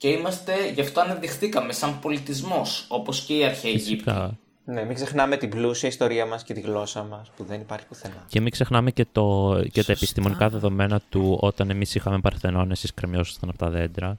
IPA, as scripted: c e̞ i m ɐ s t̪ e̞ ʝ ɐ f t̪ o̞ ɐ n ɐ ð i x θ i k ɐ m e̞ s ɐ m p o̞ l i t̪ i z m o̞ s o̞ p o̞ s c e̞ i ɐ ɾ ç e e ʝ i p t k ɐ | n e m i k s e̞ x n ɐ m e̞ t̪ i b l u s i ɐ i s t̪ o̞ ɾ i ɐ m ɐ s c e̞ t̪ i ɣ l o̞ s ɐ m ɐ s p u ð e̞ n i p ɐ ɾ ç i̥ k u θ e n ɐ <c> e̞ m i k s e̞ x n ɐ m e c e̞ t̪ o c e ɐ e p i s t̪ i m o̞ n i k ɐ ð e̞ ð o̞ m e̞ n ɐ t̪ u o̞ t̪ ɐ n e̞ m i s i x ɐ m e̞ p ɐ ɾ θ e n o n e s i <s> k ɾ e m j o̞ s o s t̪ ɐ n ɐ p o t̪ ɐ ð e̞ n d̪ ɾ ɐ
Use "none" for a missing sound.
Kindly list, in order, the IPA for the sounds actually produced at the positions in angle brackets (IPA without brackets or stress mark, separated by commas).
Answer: c, s